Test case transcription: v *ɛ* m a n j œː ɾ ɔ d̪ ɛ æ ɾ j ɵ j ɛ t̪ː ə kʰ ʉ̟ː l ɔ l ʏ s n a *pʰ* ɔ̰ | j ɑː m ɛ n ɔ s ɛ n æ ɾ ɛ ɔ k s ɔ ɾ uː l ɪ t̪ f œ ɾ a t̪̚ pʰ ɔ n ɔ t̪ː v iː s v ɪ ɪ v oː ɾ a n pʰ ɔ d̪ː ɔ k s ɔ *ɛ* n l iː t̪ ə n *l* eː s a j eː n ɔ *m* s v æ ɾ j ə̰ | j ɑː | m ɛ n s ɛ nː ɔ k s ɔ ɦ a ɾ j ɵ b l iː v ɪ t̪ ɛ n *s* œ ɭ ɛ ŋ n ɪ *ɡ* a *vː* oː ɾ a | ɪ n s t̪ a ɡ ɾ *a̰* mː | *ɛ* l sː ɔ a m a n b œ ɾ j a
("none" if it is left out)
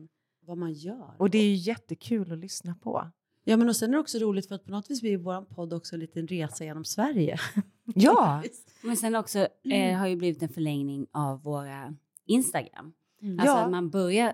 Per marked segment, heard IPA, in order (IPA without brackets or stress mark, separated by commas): a, pʰ, ɛ, ɾ, m, f, ŋ, vː, a̰, a